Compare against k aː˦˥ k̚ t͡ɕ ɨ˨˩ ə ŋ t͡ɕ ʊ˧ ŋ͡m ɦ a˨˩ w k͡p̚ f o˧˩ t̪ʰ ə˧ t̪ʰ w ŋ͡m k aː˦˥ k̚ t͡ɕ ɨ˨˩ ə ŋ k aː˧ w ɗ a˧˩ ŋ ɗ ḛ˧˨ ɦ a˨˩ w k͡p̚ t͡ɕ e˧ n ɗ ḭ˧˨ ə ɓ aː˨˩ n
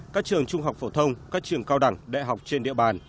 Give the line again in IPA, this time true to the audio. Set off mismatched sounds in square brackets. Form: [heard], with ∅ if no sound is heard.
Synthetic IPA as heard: k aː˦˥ k̚ t͡ɕ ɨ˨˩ ə ŋ t͡ɕ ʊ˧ ŋ͡m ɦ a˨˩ w k͡p̚ f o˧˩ t̪ʰ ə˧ [∅] w ŋ͡m k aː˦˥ k̚ t͡ɕ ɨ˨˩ ə ŋ k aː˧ w ɗ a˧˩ ŋ ɗ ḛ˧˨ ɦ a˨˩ w k͡p̚ t͡ɕ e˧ n ɗ ḭ˧˨ ə ɓ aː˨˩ n

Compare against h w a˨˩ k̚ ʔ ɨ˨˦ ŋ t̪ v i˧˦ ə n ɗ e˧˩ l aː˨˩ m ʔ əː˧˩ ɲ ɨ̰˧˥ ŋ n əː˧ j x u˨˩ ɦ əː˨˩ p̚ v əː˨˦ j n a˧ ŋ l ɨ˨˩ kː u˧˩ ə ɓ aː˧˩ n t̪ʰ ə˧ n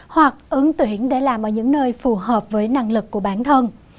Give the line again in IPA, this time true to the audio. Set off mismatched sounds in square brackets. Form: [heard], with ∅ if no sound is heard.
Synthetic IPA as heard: h w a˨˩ k̚ ʔ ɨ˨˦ ŋ t̪ [w] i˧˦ ə n ɗ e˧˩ l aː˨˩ m ʔ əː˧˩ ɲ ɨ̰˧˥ ŋ n əː˧ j [f] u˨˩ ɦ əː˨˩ p̚ v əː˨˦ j n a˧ ŋ l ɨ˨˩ kː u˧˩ ə ɓ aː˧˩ n t̪ʰ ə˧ n

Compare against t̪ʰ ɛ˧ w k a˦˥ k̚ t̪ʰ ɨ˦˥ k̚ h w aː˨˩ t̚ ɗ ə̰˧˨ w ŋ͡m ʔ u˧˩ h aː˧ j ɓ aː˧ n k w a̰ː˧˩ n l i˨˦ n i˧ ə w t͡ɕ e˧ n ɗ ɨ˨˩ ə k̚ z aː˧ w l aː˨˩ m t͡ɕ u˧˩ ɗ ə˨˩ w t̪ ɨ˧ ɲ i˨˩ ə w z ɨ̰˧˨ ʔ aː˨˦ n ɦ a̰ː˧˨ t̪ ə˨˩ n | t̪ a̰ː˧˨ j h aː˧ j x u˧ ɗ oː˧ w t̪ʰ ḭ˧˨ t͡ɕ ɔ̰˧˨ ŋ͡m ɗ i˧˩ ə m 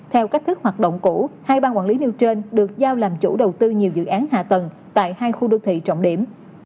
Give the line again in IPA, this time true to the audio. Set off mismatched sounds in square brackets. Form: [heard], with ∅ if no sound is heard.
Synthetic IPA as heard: t̪ʰ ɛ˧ w k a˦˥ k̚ t̪ʰ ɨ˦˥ k̚ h w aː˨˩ t̚ ɗ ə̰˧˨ w ŋ͡m [k] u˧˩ h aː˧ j ɓ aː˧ n k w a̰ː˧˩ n l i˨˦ n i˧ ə w t͡ɕ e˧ n ɗ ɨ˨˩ ə k̚ z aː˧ w l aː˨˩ m t͡ɕ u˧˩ ɗ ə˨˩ w t̪ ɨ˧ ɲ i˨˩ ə w z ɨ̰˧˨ ʔ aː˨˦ n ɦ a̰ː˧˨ t̪ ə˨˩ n | t̪ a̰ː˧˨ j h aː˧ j x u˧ ɗ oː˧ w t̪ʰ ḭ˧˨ t͡ɕ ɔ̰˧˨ ŋ͡m ɗ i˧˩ ə m

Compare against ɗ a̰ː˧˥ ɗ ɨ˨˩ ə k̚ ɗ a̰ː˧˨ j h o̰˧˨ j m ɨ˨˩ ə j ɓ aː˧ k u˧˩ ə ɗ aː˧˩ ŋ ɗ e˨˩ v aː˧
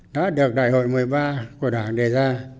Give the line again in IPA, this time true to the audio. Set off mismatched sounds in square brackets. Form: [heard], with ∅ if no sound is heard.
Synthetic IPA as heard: ɗ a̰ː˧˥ ɗ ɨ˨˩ ə k̚ ɗ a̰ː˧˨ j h o̰˧˨ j m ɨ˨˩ ə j ɓ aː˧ k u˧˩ ə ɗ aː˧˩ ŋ ɗ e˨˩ [z] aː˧

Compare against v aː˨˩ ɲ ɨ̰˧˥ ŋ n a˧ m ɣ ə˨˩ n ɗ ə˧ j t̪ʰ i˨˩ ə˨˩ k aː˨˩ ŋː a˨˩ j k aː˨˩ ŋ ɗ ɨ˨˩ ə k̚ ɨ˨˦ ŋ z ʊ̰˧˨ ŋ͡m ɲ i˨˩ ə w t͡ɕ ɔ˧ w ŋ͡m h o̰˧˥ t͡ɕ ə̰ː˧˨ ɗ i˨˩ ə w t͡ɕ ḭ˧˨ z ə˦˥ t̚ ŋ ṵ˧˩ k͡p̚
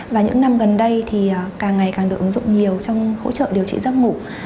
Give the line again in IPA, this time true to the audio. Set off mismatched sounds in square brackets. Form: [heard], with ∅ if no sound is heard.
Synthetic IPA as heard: v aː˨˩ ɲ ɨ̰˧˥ ŋ n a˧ m ɣ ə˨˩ n ɗ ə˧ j t̪ʰ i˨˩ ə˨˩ k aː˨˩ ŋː a˨˩ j k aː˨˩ ŋ ɗ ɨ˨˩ ə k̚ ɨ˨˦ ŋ z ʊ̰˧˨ ŋ͡m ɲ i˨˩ ə w t͡ɕ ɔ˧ w ŋ͡m h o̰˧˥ t͡ɕ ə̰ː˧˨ ɗ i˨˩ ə w t͡ɕ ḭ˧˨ z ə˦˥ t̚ ŋ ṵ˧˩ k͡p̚

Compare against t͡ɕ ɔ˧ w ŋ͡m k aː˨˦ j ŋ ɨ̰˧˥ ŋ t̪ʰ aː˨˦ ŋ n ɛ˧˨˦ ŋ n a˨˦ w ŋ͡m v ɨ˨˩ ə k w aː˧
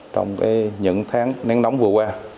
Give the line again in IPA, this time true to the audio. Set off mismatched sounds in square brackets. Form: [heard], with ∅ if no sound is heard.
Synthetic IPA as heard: t͡ɕ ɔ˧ w ŋ͡m k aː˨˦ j [ɲ] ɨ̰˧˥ ŋ t̪ʰ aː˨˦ ŋ n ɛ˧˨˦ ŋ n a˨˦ w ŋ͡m v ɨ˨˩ ə k w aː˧

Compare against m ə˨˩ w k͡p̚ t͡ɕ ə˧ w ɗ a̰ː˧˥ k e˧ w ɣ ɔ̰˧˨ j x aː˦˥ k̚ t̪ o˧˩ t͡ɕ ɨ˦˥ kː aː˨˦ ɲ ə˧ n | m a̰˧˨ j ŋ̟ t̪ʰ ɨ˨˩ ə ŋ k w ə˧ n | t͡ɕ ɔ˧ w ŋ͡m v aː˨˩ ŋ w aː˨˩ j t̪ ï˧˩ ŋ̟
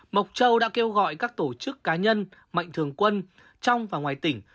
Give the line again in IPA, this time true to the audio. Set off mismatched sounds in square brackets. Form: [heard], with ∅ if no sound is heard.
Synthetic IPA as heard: m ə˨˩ w k͡p̚ t͡ɕ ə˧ w ɗ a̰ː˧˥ k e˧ w ɣ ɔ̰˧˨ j [k] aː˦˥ k̚ t̪ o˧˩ t͡ɕ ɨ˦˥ kː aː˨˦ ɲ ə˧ n | m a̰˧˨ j ŋ̟ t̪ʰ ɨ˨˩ ə ŋ k w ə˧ n | t͡ɕ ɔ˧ w ŋ͡m v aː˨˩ ŋ w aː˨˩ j t̪ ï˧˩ ŋ̟

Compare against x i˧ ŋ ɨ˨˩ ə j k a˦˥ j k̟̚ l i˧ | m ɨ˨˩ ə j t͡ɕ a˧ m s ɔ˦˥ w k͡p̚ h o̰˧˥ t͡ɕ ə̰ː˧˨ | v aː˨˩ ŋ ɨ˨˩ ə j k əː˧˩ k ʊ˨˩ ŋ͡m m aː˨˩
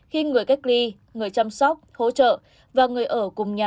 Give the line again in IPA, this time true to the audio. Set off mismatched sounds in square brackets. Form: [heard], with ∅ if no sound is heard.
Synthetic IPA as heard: x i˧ ŋ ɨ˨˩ ə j k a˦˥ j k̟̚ l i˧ | [ŋ] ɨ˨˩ ə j t͡ɕ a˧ m s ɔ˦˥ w k͡p̚ h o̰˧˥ t͡ɕ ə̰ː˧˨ | v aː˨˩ ŋ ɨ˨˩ ə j [ʔ] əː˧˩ k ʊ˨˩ ŋ͡m [ɲ] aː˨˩

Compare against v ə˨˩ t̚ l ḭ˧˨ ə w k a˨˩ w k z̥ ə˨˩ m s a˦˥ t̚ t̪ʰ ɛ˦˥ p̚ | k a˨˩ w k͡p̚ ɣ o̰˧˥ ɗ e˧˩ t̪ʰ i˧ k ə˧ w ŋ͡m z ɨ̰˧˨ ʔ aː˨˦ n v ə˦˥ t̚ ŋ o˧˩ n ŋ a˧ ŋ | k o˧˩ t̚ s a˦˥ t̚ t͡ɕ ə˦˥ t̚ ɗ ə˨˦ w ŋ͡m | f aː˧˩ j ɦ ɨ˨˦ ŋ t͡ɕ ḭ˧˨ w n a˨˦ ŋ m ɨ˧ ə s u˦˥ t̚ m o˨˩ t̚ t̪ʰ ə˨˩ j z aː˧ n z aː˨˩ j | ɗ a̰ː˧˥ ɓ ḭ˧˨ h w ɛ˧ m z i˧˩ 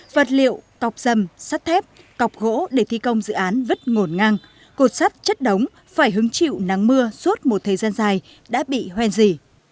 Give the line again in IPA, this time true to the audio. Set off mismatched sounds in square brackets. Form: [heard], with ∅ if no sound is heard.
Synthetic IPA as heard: v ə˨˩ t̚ l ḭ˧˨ ə w k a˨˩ w [k͡p̚] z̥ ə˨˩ m s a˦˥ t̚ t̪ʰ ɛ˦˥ p̚ | k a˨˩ w k͡p̚ ɣ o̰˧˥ ɗ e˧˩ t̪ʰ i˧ k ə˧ w ŋ͡m z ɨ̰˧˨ ʔ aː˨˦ n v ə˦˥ t̚ ŋ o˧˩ n ŋ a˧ ŋ | k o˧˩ t̚ s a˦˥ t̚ t͡ɕ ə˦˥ t̚ ɗ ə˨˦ w ŋ͡m | f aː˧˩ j ɦ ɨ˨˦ ŋ t͡ɕ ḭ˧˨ w n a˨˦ ŋ m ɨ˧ ə s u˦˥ t̚ m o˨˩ t̚ t̪ʰ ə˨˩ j z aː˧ n z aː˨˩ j | ɗ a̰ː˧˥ ɓ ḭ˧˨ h w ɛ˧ [n] z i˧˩

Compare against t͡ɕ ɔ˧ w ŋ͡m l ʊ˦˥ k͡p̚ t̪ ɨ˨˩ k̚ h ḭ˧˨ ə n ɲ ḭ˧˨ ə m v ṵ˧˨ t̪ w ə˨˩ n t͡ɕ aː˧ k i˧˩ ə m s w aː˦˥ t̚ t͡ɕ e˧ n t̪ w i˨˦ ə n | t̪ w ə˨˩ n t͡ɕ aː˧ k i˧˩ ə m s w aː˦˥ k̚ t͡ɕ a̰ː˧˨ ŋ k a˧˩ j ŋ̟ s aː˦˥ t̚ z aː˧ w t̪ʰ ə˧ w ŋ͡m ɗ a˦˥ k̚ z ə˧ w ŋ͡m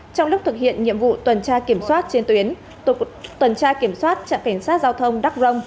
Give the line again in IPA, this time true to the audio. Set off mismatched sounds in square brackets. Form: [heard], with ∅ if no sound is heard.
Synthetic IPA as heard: t͡ɕ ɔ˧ w ŋ͡m l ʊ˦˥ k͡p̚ t̪ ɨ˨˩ k̚ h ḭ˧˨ ə n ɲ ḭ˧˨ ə m v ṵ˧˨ t̪ w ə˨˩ n t͡ɕ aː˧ k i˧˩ ə m s w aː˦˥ t̚ t͡ɕ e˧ n t̪ w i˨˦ ə n | t̪ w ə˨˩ n t͡ɕ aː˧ k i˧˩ ə m s w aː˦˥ [t̚] t͡ɕ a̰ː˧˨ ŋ k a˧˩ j ŋ̟ s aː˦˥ t̚ z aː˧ w t̪ʰ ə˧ w ŋ͡m ɗ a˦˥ k̚ z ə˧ w ŋ͡m

